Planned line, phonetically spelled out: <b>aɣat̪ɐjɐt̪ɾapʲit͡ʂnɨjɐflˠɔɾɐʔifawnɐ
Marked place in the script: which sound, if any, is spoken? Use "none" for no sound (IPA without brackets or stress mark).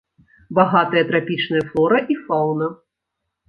b